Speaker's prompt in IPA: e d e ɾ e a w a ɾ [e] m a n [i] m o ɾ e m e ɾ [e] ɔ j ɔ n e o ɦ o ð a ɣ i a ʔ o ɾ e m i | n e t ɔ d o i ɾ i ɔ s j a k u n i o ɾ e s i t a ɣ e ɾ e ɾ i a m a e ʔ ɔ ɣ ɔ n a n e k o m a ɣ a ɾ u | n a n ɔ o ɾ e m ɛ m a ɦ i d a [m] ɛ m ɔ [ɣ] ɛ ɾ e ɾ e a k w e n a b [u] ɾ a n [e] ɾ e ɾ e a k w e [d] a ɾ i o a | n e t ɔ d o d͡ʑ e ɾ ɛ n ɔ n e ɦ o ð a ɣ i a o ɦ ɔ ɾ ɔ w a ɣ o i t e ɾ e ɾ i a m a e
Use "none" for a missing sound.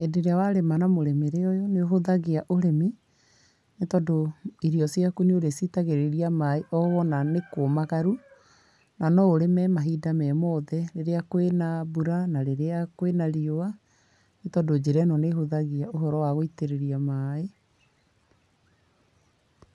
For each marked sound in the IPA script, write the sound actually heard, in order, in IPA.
e, a, e, m, ð, u, a, n

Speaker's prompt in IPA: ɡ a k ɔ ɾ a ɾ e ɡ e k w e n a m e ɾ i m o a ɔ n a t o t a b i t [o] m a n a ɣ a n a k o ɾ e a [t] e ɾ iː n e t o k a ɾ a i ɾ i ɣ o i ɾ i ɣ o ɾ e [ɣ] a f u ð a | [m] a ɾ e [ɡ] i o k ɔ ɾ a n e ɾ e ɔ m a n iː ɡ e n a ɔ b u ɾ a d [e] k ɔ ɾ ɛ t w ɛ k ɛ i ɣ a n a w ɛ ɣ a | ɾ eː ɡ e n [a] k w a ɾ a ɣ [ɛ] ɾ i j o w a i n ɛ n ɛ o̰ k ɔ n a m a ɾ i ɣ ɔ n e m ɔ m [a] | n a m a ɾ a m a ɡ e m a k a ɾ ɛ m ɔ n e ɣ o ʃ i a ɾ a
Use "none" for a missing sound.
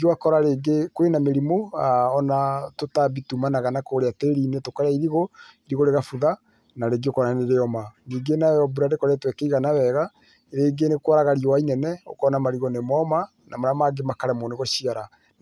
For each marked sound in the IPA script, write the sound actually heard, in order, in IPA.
u, t, ɣ, n, ɡ, e, e, a, a

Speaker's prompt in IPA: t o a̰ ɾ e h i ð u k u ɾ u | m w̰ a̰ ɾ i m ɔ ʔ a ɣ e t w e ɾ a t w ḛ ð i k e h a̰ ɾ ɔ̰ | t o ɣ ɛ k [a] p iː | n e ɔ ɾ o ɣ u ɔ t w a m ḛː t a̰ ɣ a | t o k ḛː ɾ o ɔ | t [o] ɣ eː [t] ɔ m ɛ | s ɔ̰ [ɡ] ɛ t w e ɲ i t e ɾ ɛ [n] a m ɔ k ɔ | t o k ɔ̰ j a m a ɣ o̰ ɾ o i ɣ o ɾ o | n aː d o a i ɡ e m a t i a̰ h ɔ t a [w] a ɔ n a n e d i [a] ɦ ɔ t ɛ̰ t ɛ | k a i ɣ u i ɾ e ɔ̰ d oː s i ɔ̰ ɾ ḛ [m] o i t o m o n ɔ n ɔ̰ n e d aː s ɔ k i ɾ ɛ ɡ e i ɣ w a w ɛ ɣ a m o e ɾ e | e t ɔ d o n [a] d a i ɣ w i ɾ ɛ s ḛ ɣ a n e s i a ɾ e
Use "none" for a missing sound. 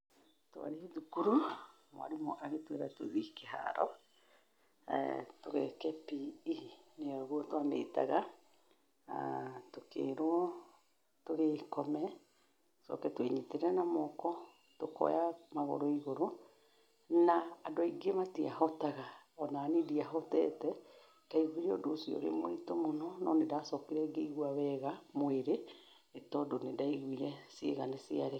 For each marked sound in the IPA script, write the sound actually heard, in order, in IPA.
ɛ, o, k, k, n, ɣ, a, m, e

